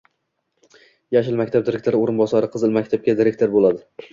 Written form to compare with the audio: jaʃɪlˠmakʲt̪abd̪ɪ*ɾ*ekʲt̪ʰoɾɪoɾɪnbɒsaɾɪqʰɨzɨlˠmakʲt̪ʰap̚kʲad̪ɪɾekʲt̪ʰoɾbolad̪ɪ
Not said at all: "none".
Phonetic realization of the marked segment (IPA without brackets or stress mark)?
ɾ